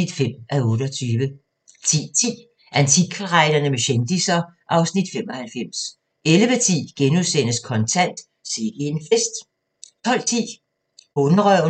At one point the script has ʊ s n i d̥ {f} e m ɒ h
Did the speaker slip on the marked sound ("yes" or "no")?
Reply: no